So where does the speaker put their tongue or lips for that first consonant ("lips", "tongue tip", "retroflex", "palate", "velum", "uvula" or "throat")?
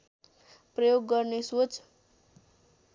lips